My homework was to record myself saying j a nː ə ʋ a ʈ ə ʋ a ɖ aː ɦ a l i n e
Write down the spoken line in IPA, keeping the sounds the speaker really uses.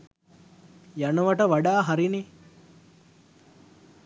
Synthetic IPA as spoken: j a n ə ʋ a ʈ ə ʋ a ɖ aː ɦ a ɾ i n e